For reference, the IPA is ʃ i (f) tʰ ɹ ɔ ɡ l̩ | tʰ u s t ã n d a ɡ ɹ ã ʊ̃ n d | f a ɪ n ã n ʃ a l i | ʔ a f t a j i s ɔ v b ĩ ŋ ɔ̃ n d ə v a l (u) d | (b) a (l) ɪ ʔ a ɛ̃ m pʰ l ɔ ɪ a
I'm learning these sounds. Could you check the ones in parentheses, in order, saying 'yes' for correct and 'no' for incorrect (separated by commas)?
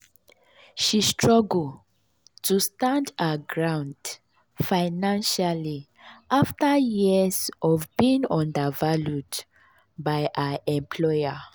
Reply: no, yes, yes, no